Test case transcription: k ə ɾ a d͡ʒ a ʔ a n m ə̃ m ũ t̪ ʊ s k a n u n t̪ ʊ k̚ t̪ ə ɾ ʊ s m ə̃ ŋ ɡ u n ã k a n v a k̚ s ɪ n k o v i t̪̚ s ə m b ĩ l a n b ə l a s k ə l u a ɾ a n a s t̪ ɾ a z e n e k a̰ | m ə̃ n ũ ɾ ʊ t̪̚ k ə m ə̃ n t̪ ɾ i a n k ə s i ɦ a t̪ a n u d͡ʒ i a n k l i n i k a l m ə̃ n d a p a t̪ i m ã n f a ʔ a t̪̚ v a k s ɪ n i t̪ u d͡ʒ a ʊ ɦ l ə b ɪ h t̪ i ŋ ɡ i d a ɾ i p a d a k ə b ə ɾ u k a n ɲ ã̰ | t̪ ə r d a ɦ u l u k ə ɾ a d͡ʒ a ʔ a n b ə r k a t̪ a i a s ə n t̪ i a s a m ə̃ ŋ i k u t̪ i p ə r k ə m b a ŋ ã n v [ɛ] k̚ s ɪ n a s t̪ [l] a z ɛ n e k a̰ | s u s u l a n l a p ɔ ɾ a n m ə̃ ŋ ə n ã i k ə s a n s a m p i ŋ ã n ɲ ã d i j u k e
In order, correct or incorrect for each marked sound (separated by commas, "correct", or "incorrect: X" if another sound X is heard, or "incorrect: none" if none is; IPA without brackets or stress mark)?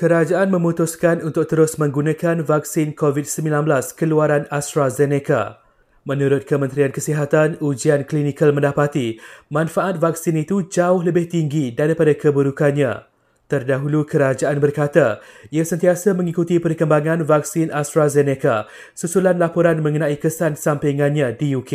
incorrect: a, incorrect: ɾ